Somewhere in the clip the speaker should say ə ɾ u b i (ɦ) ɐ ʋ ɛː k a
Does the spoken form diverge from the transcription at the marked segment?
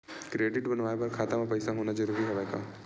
no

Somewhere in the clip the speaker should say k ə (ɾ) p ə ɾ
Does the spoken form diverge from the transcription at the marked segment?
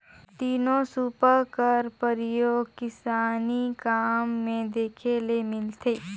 no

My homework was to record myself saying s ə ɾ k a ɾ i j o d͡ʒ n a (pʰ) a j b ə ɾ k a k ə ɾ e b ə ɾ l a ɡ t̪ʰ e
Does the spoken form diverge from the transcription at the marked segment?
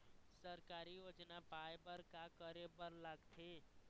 yes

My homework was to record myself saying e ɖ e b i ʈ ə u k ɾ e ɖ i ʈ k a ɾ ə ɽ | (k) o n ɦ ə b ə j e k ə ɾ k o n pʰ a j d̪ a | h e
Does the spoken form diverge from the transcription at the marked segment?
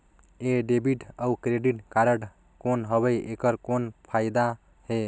no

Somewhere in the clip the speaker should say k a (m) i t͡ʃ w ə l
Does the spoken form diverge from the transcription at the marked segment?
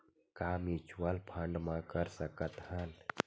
no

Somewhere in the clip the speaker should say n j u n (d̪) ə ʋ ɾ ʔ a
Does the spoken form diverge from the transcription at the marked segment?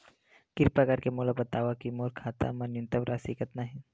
yes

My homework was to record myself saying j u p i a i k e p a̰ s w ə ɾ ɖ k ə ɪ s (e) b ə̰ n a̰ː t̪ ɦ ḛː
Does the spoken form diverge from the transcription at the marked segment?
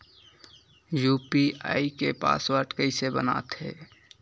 no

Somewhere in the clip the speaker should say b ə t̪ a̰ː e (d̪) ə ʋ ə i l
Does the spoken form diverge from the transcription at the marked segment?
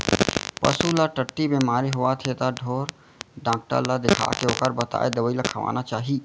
no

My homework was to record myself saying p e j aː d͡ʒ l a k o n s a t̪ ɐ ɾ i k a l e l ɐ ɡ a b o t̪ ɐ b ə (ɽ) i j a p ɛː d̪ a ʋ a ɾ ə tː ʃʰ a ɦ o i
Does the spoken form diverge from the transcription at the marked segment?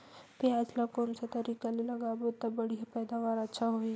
no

